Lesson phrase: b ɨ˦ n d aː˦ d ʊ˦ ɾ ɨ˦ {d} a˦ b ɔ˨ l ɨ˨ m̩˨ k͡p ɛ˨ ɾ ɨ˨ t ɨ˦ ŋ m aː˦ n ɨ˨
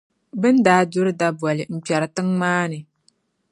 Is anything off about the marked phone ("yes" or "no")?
no